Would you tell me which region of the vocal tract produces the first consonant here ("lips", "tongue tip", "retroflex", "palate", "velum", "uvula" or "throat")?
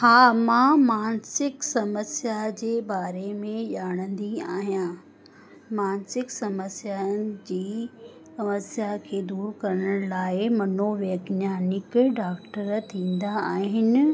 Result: throat